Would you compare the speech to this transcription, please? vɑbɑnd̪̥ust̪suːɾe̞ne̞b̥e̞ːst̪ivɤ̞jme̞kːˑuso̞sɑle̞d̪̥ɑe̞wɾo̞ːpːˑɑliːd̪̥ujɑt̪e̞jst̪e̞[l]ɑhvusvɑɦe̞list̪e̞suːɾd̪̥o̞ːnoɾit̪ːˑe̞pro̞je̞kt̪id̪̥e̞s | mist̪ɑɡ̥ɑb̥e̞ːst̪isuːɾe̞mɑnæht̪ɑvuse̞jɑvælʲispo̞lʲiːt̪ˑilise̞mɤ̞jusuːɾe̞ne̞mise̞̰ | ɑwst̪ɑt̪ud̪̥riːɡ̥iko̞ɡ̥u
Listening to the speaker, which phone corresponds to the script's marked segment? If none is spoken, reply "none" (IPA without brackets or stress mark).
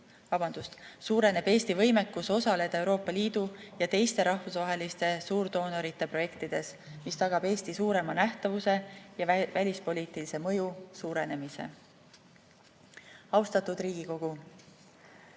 ɾ